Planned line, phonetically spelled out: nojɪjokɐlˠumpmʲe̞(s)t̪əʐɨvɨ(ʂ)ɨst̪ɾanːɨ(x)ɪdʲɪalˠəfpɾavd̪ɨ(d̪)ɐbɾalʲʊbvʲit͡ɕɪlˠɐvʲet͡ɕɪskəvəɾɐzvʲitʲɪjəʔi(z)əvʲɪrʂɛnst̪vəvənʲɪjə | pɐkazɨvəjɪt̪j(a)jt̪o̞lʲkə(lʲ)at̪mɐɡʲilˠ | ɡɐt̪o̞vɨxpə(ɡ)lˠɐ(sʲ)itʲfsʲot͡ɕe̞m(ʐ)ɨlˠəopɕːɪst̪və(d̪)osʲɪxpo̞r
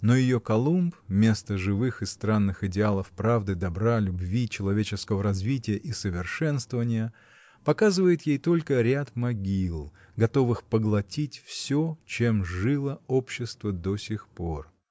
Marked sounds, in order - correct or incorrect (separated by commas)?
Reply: correct, incorrect, correct, correct, incorrect, incorrect, incorrect, correct, incorrect, correct, correct